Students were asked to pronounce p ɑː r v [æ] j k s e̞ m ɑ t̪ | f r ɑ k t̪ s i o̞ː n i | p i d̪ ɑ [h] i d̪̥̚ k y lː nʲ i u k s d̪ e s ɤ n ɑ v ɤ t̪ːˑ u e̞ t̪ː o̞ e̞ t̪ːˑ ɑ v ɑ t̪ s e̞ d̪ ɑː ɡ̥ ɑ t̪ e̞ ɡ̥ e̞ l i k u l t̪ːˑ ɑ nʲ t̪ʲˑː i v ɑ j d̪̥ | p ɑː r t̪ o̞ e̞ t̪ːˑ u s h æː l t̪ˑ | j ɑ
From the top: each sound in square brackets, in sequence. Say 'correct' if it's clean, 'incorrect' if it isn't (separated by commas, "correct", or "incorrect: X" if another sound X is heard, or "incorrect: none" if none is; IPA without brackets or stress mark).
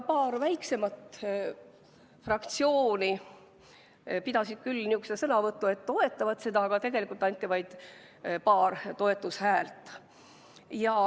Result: correct, incorrect: s